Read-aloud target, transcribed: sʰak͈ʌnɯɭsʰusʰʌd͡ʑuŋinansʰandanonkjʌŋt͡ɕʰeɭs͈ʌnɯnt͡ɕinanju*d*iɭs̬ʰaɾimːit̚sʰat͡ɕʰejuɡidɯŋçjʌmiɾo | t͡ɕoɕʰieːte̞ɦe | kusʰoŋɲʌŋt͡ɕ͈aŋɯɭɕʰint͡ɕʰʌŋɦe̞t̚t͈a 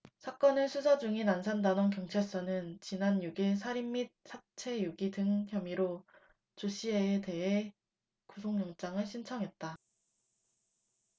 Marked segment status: incorrect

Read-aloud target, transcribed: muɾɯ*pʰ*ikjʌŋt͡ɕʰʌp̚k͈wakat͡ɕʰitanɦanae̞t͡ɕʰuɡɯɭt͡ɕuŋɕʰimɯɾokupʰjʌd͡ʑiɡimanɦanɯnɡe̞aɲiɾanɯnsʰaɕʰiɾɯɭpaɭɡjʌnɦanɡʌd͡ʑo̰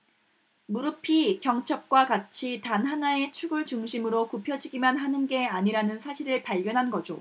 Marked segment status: correct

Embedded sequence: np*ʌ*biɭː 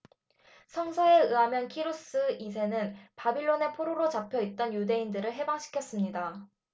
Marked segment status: incorrect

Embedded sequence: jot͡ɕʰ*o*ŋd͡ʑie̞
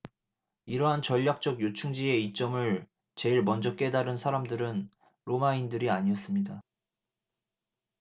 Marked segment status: incorrect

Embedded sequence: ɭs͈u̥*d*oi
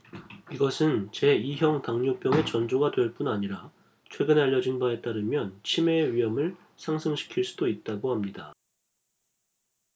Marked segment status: correct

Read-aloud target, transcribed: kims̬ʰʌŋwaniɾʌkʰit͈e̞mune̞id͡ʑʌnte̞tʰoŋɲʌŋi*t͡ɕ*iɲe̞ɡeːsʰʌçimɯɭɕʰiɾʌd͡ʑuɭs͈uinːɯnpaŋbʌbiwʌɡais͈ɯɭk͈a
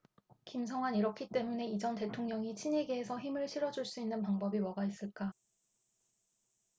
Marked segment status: incorrect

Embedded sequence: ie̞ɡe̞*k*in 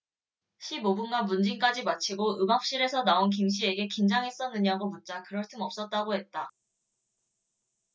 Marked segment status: correct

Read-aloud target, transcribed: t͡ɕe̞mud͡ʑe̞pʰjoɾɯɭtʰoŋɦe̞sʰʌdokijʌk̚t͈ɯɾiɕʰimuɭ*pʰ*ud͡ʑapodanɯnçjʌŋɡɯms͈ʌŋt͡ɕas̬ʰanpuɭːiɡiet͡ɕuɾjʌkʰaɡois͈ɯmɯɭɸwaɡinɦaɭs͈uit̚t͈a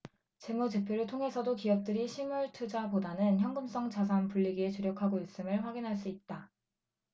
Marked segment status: incorrect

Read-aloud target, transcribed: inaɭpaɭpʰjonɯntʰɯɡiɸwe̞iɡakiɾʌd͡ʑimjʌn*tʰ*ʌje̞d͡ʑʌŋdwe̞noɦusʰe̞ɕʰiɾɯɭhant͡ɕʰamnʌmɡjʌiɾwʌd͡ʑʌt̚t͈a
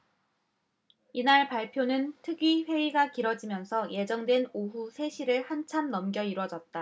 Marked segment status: incorrect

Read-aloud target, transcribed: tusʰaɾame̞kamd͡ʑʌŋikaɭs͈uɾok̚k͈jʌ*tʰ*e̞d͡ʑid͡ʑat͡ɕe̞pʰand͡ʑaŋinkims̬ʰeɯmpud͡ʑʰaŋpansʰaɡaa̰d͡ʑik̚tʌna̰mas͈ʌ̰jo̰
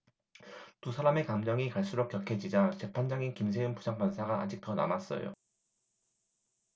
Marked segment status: incorrect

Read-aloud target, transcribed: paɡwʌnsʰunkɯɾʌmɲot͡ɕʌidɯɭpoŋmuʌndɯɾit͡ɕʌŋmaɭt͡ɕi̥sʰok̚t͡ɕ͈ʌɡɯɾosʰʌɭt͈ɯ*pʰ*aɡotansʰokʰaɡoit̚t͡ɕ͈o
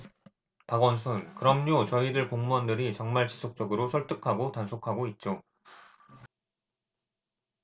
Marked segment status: incorrect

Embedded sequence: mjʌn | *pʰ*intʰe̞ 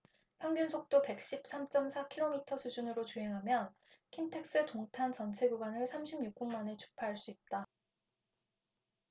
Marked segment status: incorrect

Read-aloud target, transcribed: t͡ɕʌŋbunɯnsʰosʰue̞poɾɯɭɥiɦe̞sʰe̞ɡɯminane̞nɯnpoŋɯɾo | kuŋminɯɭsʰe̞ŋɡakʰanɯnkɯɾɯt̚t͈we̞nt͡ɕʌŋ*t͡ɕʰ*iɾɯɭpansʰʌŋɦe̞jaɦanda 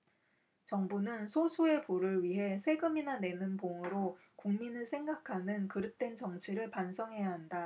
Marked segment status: correct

